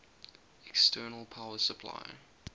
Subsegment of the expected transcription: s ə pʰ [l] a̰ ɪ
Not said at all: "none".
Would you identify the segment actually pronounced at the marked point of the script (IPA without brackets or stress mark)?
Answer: l